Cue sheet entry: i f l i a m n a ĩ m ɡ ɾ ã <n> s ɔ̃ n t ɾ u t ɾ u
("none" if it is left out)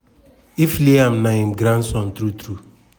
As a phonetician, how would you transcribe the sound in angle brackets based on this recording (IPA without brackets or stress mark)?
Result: n